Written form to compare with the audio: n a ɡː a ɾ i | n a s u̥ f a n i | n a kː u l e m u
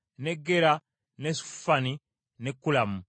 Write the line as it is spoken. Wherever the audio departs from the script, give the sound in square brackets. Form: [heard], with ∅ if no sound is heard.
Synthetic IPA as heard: n [e] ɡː [e] ɾ [a] | n [e] s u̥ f a n i | n [e] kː u l [a] m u

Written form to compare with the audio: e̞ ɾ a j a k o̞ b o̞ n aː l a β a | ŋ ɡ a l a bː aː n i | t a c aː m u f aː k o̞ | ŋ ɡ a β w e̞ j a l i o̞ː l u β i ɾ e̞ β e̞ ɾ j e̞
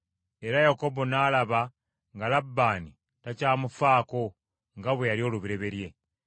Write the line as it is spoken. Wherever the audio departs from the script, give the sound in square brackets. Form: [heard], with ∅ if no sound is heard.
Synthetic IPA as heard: e̞ ɾ a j a k o̞ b o̞ n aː l a β a | ŋ ɡ a l a bː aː n i | t a c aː m u f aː k o̞ | ŋ ɡ a β w e̞ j a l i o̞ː l u β i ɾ e̞ β e̞ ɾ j e̞

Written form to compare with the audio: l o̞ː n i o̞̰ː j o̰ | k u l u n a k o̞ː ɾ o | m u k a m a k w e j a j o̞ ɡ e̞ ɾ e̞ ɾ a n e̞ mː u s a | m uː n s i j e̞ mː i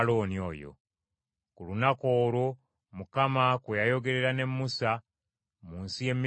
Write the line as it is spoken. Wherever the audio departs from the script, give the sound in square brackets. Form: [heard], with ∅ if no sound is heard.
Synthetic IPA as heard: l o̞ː n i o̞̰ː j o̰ | k u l u n a k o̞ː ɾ o | m u k a m a k w e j a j o̞ ɡ e̞ ɾ e̞ ɾ a n e̞ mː u s a | m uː n s i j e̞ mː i

